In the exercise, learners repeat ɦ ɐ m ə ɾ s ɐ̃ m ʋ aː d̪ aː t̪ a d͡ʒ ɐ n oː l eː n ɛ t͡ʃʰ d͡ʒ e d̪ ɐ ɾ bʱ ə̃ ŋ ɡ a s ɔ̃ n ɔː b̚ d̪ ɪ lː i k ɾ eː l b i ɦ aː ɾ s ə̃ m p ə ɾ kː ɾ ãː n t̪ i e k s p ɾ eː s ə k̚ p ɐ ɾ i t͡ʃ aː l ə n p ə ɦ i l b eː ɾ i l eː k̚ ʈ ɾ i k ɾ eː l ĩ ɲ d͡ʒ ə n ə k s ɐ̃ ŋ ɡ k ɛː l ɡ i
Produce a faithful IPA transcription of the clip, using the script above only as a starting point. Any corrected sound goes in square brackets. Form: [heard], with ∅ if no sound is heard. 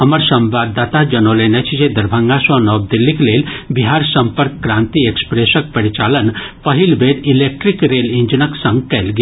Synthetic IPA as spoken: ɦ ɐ m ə ɾ s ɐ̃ m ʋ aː d̪ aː t̪ a d͡ʒ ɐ n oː l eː n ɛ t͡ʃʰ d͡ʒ e d̪ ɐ ɾ bʱ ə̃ ŋ ɡ a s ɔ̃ n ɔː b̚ d̪ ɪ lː i k [l] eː l b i ɦ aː ɾ s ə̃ m p ə ɾ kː ɾ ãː n t̪ i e k s p ɾ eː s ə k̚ p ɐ ɾ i t͡ʃ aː l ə n p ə ɦ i l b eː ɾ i l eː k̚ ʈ ɾ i k ɾ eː l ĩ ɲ d͡ʒ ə n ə k s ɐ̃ ŋ ɡ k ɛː l ɡ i